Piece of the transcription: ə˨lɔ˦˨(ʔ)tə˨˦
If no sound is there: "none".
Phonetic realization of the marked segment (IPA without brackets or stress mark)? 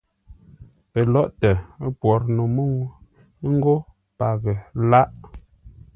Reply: ʔ